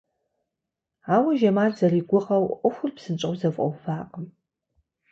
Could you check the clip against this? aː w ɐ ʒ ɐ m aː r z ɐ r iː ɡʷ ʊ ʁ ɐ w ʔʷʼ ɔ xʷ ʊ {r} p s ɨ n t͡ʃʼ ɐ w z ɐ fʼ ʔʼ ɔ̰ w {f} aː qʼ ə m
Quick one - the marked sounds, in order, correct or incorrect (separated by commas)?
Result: correct, correct